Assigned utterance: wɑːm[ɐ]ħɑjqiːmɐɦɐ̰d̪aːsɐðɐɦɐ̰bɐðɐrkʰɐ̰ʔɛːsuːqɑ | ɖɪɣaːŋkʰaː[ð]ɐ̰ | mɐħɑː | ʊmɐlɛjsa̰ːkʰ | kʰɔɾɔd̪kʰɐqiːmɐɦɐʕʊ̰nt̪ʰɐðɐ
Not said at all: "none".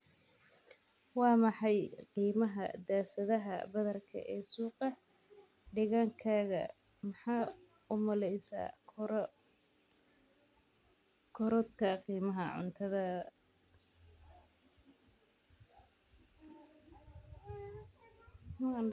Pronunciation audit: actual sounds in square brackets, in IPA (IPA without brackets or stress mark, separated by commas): ɑ, ɣ